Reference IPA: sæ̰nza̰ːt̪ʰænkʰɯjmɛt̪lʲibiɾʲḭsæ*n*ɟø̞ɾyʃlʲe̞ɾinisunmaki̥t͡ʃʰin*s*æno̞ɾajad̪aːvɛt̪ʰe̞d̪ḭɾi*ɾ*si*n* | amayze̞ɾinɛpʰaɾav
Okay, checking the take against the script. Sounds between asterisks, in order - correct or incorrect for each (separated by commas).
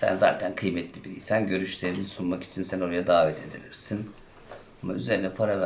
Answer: correct, correct, correct, correct